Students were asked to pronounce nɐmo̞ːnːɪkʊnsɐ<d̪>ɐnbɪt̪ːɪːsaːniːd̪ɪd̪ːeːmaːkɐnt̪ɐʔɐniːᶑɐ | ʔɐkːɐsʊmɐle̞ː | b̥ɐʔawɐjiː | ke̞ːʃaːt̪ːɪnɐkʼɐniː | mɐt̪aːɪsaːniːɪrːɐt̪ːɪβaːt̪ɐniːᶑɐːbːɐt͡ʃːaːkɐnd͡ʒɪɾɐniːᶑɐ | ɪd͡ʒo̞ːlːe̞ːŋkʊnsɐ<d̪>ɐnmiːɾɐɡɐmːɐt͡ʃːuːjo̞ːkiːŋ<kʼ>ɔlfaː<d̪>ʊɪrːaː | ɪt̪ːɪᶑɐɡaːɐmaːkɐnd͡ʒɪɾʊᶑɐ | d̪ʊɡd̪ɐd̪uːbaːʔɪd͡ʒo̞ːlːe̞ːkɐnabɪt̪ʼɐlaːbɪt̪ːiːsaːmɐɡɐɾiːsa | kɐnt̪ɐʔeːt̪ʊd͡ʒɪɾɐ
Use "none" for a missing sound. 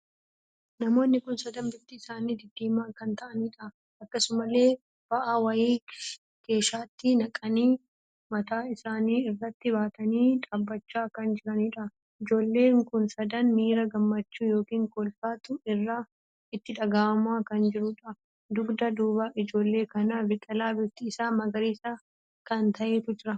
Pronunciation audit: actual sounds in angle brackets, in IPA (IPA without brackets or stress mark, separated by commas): d̪, d̪, k, t̪